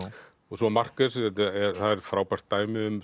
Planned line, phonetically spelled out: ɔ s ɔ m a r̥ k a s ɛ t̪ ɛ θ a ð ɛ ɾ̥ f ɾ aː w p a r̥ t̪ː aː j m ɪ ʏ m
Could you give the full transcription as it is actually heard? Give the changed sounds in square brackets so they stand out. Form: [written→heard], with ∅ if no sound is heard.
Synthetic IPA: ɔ s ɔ m a r̥ k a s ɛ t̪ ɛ θ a ð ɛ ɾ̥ f ɾ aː w p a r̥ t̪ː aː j m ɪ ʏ m